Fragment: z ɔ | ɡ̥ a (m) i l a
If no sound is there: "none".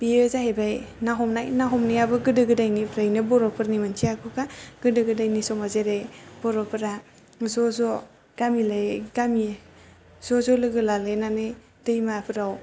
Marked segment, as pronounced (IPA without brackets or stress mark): m